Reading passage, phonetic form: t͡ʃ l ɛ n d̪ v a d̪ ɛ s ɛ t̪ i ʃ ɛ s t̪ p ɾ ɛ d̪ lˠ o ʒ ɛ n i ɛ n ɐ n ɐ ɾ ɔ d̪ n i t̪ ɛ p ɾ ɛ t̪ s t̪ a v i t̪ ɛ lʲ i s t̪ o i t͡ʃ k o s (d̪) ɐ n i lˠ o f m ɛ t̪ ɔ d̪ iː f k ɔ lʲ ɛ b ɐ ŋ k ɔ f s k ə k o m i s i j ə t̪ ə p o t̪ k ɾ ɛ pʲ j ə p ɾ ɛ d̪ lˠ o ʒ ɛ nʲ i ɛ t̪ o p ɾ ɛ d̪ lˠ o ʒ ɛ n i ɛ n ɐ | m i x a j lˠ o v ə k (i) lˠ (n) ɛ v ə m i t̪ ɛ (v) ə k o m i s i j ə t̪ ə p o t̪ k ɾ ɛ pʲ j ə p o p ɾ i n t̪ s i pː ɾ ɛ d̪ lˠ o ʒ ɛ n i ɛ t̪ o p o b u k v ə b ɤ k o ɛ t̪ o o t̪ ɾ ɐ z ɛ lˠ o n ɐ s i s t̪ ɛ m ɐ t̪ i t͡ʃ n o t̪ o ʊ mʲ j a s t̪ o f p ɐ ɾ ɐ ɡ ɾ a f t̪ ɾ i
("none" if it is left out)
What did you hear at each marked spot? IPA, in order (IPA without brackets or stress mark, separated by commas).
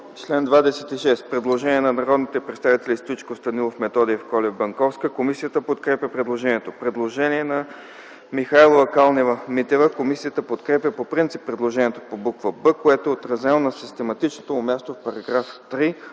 t̪, a, n, v